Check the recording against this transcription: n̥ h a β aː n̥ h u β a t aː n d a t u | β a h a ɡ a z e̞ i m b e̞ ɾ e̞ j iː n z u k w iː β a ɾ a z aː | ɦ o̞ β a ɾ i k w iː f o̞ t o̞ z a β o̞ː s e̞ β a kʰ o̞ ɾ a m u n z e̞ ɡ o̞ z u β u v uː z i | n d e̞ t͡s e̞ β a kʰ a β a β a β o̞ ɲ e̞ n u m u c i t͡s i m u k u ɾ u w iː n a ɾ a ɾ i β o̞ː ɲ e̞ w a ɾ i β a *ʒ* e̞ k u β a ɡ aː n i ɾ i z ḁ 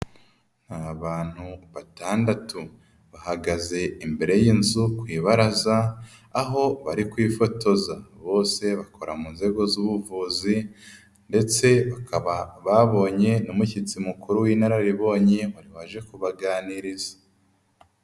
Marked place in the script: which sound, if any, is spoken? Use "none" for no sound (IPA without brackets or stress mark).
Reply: ʒ